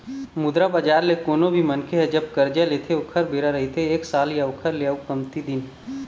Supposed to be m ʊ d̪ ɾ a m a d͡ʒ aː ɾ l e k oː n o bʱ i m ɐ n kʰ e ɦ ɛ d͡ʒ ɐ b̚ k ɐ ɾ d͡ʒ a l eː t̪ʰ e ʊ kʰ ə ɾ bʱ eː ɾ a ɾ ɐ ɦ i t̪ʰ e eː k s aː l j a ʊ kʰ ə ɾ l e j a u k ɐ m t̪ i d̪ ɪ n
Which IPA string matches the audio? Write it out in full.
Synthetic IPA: m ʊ d̪ ɾ a b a d͡ʒ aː ɾ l e k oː n o bʱ i m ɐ n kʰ e ɦ ɛ d͡ʒ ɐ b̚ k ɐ ɾ d͡ʒ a l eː t̪ʰ e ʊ kʰ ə ɾ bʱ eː ɾ a ɾ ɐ ɦ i t̪ʰ e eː k s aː l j a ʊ kʰ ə ɾ l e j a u k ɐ m t̪ i d̪ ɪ n